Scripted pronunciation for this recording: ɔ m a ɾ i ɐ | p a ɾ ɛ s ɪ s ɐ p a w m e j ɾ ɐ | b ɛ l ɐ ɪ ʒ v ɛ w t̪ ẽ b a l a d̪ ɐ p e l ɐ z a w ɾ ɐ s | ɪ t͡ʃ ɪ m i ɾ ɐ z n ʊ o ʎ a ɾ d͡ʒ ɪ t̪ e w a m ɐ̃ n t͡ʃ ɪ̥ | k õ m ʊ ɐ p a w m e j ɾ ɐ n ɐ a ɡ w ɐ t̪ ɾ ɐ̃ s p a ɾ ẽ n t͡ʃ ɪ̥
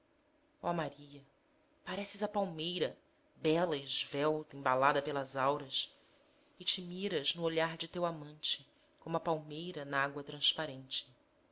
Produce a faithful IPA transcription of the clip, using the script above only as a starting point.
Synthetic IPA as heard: ɔ m a ɾ i ɐ | p a ɾ ɛ s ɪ z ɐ p a w m e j ɾ ɐ | b ɛ l ɐ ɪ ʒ v ɛ w t̪ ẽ b a l a d̪ ɐ p e l ɐ z a w ɾ ɐ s | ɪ t͡ʃ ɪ m i ɾ ɐ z n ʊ o ʎ a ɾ d͡ʒ ɪ t̪ e w a m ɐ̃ n t͡ʃ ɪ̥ | k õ m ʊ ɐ p a w m e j ɾ ɐ n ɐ a ɡ w ɐ t̪ ɾ ɐ̃ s p a ɾ ẽ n t͡ʃ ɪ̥

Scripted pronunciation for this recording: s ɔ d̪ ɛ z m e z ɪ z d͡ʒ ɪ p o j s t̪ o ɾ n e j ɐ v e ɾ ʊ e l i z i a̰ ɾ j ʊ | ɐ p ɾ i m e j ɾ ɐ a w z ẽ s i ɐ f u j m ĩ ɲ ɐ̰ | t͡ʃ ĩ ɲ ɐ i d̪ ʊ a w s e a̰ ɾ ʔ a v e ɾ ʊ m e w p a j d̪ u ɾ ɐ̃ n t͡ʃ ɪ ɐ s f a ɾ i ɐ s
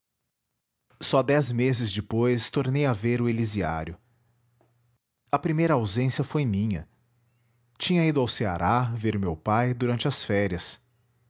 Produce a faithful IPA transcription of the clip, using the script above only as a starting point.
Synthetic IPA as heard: s ɔ d̪ ɛ z m e z ɪ z d͡ʒ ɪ p o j s t̪ o ɾ n e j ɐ v e ɾ ʊ e l i z i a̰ ɾ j ʊ | ɐ p ɾ i m e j ɾ ɐ a w z ẽ s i ɐ f o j m ĩ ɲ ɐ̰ | t͡ʃ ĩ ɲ ɐ i d̪ ʊ a w s e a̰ ɾ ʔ a v e ɾ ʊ m e w p a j d̪ u ɾ ɐ̃ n t͡ʃ ɪ ɐ s f ɛ ɾ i ɐ s

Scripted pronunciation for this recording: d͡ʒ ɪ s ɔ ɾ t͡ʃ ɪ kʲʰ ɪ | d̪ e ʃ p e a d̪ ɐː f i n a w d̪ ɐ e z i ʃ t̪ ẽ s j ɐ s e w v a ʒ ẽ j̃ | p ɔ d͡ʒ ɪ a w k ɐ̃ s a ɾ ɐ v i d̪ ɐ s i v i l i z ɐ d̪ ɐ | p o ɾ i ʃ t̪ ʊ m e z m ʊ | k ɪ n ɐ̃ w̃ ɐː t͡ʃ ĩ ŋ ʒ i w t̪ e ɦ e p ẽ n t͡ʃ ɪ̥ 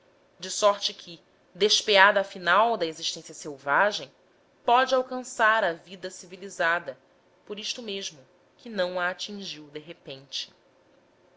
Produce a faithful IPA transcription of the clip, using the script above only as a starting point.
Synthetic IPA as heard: d͡ʒ ɪ s ɔ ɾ t͡ʃ ɪ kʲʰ ɪ | d̪ e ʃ p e a d̪ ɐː f i n a w d̪ ɐ e z i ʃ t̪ ẽ s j ɐ s e w v a ʒ ẽ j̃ | p ɔ d͡ʒ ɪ a w k ɐ̃ s a ɾ ɐ v i d̪ ɐ s i v i l i z a d̪ ɐ | p o ɾ i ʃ t̪ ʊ m e ʒ m ʊ | k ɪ n ɐ̃ w̃ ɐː t͡ʃ ĩ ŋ ʒ i w d̪ e ɦ e p ẽ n t͡ʃ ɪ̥

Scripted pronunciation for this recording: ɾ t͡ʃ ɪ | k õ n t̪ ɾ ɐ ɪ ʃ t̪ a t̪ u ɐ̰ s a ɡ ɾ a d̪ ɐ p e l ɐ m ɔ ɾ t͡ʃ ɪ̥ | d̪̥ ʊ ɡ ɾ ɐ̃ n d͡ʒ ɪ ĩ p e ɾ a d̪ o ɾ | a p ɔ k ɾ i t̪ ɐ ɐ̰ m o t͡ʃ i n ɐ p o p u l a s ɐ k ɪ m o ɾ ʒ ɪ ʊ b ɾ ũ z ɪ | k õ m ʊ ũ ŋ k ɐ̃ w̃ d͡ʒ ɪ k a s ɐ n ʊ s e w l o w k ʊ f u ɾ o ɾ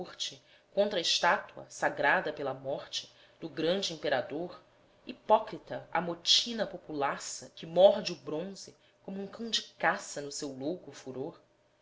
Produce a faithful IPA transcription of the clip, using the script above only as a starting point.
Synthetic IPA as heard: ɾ t͡ʃ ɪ | k õ n t̪ ɾ ɐ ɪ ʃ t̪ a t̪ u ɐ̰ s a ɡ ɾ a d̪ ɐ p e l ɐ m ɔ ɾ t͡ʃ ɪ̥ | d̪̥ ʊ ɡ ɾ ɐ̃ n d͡ʒ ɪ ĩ p e ɾ a d̪ o ɾ | i p ɔ k ɾ i t̪ ɐ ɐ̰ m o t͡ʃ i n ɐ p o p u l a s ɐ k ɪ m ɔ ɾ d͡ʒ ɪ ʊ b ɾ õ z ɪ | k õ m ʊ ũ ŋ k ɐ̃ w̃ d͡ʒ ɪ k a s ɐ n ʊ s e w l o w k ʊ f u ɾ o ɾ

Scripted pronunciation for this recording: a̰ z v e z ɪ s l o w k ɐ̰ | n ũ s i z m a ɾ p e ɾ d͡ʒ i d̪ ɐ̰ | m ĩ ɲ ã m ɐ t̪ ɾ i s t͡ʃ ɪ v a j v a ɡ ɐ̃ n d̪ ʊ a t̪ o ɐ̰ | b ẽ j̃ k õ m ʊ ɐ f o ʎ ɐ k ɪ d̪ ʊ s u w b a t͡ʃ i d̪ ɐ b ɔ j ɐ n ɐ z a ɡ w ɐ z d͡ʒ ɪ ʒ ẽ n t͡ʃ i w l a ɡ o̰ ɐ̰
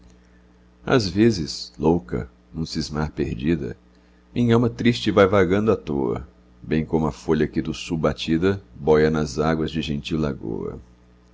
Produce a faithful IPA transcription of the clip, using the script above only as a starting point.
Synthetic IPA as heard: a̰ z v e z ɪ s l o w k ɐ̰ | n ũ s i z m a ɾ p e ɾ d͡ʒ i d̪ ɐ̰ | m ĩ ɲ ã m ɐ t̪ ɾ i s t͡ʃ ɪ v a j v a ɡ ɐ̃ n d̪ ʊ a t̪ o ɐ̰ | b ẽ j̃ k õ m ʊ ɐ f o ʎ ɐ k ɪ d̪ ʊ s u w b a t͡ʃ i d̪ ɐ b ɔ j ɐ n ɐ z a ɡ w ɐ z d͡ʒ ɪ ʒ ẽ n t͡ʃ i w l a ɡ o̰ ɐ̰

